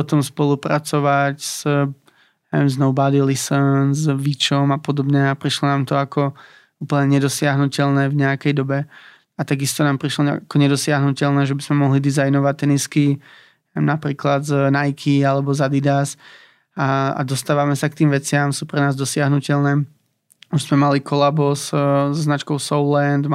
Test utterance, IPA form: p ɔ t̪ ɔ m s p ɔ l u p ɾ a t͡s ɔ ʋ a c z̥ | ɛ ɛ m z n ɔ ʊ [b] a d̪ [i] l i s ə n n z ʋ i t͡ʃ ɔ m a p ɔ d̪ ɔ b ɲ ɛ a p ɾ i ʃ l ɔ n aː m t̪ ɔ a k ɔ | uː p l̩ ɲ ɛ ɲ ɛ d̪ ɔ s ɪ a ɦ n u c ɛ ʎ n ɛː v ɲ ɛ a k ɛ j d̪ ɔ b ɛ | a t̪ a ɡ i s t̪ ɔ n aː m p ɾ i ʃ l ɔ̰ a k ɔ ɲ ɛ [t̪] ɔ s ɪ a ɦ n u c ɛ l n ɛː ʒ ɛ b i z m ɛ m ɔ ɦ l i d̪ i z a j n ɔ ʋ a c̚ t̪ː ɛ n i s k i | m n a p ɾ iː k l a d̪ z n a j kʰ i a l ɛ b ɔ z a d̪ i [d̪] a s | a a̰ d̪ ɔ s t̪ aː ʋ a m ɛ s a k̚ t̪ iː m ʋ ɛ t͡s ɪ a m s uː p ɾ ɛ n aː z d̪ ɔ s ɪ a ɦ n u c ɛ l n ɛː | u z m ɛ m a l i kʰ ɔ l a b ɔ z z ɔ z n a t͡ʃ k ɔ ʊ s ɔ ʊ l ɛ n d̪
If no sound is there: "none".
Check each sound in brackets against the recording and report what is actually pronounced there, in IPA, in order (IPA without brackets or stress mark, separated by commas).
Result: b, i, d̪, d̪